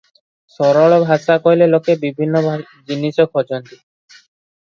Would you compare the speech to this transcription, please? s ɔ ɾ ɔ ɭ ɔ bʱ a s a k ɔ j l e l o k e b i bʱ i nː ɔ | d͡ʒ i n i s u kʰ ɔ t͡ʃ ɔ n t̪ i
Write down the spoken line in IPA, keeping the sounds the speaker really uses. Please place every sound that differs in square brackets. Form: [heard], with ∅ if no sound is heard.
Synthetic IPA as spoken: s ɔ ɾ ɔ ɭ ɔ bʱ a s a k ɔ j l e l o k e b i bʱ i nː ɔ | d͡ʒ i n i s [ɔ] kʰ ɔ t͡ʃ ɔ n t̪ i